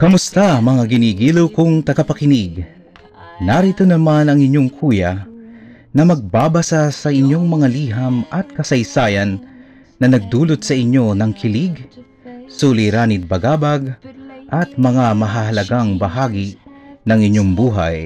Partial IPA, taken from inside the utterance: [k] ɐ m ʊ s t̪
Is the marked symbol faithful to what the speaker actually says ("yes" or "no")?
yes